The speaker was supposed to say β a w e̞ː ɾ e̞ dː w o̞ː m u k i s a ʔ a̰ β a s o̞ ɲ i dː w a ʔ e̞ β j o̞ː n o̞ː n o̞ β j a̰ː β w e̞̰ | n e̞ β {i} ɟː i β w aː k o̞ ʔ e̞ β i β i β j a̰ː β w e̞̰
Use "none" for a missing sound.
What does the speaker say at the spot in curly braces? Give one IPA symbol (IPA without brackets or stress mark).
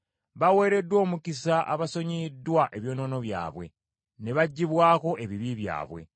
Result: a